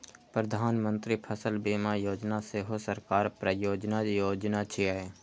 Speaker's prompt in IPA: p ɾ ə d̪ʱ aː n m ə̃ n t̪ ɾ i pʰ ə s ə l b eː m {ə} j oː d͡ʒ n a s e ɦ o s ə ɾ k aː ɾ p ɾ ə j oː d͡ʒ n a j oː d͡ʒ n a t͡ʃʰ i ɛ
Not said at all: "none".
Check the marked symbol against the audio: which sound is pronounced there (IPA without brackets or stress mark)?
a